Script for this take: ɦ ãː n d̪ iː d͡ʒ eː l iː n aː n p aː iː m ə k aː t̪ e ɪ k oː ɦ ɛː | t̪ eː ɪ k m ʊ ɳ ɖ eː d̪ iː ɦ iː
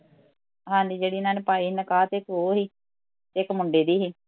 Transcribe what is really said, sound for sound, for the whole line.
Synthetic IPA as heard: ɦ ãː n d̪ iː d͡ʒ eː ɽ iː n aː n p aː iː n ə k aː t̪ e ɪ k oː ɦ iː | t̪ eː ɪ k m ʊ ɳ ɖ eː d̪ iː ɦ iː